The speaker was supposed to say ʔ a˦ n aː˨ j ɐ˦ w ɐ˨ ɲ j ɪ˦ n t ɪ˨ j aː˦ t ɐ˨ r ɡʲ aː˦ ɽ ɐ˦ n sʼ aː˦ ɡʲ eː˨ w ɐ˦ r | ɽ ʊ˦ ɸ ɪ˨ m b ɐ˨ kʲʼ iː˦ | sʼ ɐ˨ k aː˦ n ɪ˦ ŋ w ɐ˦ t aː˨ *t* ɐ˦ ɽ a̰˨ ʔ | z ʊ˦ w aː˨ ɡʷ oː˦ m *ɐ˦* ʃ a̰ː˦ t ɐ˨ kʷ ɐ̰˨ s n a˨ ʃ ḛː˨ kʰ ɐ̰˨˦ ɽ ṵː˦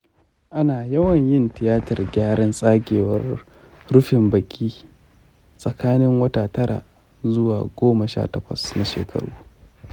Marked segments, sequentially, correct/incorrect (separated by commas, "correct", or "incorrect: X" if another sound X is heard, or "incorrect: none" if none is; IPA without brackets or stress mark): correct, incorrect: ɐ˨